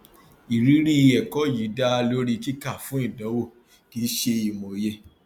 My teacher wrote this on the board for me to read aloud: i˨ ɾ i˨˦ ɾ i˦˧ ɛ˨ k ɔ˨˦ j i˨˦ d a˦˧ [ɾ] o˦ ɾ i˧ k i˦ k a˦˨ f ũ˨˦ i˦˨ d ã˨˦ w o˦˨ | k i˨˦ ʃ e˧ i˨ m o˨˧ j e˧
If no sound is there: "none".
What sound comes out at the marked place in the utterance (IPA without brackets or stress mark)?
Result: l